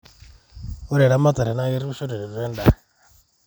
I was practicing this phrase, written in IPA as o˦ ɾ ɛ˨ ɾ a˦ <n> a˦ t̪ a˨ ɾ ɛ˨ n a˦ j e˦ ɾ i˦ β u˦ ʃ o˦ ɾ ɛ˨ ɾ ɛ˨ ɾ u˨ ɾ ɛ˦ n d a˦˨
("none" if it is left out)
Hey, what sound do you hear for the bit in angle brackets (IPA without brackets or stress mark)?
m